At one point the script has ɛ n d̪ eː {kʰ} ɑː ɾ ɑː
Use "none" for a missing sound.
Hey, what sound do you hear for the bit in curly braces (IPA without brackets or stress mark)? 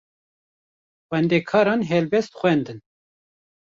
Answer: kʰ